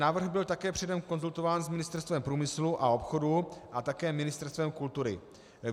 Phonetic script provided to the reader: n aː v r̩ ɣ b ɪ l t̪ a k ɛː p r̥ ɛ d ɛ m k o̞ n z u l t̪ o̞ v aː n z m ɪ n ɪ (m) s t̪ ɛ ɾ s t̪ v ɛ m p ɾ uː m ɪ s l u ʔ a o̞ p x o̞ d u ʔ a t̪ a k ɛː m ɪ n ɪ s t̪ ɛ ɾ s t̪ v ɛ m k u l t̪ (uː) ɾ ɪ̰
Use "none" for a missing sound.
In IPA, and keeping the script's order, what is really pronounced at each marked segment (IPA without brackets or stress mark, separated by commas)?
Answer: none, u